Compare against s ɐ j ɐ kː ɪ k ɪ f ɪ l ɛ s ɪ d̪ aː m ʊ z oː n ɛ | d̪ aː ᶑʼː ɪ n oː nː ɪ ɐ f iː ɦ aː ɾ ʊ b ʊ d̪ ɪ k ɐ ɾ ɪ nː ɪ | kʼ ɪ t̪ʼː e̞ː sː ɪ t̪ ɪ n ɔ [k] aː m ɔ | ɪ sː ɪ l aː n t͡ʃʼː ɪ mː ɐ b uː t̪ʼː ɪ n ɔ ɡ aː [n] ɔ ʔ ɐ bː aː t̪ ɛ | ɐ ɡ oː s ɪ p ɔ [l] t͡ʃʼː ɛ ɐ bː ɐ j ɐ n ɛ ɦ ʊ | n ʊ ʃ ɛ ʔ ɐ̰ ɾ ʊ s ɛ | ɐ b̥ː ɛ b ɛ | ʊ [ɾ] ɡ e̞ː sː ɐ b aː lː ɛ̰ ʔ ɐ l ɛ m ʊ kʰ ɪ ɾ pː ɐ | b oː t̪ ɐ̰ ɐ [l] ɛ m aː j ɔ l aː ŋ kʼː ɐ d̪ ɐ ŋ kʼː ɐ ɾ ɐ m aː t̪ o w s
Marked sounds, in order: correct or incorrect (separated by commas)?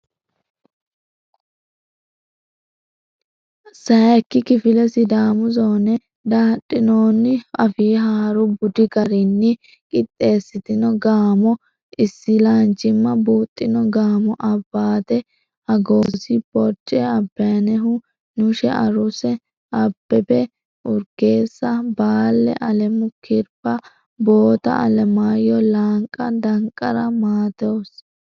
incorrect, incorrect, incorrect, correct, correct